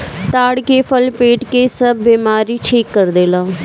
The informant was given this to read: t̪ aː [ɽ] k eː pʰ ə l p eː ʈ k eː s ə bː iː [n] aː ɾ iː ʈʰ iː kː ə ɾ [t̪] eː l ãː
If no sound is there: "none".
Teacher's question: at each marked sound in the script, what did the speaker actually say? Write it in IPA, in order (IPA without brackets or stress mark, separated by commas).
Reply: ɽ, m, d̪